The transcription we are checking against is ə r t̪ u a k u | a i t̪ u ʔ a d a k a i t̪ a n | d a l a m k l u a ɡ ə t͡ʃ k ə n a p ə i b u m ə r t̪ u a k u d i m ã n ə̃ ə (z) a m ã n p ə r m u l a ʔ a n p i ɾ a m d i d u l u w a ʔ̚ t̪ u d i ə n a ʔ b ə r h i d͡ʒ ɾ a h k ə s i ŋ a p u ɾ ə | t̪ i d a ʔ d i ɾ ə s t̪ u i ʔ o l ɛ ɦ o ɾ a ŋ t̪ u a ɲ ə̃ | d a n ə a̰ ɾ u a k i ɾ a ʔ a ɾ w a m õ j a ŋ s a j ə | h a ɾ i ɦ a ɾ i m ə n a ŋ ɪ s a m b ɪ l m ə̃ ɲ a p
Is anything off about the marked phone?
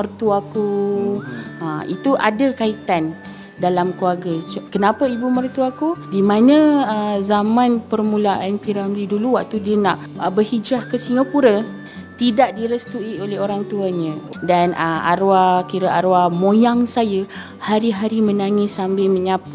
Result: no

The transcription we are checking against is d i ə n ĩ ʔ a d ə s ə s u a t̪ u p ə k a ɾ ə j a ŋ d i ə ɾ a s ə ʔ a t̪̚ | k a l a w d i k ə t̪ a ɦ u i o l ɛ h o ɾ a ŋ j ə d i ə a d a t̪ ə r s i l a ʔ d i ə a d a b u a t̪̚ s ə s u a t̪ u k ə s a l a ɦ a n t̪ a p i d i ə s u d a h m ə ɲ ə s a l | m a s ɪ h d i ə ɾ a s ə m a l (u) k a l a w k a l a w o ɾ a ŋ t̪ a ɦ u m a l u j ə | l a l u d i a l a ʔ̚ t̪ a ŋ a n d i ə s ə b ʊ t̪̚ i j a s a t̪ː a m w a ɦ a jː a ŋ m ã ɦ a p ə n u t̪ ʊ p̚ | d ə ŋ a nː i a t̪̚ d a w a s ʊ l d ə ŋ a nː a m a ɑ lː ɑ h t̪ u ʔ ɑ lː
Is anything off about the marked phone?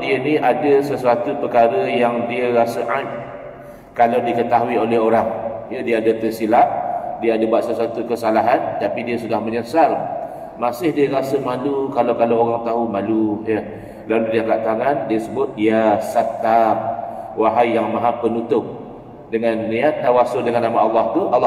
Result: no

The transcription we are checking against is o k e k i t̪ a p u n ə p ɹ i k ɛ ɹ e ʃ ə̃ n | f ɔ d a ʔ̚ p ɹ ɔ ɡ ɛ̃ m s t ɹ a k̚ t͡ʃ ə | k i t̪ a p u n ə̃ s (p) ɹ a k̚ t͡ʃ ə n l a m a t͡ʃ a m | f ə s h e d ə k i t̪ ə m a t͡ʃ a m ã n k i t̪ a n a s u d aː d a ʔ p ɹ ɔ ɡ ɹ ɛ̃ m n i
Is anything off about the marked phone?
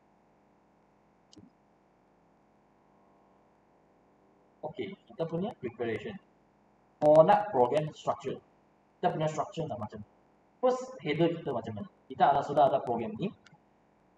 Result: yes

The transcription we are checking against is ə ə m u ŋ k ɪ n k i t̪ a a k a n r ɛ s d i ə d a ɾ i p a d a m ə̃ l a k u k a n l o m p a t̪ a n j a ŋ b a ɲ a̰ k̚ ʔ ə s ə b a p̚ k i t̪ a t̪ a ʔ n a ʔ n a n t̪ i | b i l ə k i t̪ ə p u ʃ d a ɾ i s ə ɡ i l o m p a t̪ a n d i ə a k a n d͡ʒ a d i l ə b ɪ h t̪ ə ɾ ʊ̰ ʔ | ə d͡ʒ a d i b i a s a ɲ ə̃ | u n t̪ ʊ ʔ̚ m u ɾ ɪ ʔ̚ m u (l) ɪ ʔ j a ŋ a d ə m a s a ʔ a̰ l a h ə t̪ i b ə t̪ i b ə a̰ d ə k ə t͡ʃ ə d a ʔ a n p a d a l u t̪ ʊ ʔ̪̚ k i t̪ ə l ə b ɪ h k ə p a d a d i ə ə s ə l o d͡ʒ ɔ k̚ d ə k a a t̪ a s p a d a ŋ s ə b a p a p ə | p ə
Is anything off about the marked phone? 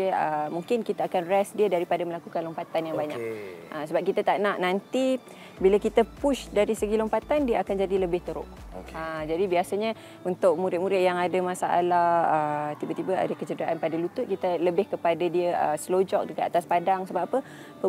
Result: yes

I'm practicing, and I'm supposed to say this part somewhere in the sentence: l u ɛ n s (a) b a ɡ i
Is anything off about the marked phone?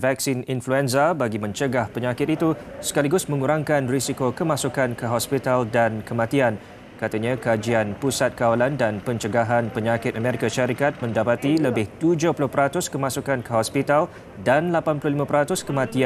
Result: no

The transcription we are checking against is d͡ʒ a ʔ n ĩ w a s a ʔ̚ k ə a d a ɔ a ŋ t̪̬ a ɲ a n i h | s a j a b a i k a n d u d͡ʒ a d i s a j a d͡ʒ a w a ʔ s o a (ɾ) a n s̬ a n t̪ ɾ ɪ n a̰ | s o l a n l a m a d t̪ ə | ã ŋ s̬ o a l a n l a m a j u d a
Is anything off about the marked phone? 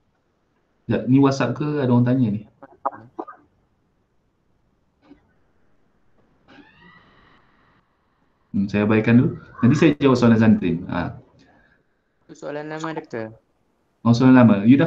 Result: yes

